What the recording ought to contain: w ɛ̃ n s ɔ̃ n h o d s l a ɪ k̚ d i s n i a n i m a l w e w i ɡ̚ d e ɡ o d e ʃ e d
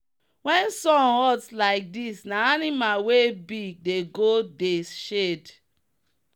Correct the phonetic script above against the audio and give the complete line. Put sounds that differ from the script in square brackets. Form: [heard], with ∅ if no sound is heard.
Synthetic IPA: w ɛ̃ n s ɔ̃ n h [ɔ] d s l a ɪ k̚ d i s n [a] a n i m a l w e [b] i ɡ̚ d e ɡ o d e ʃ e d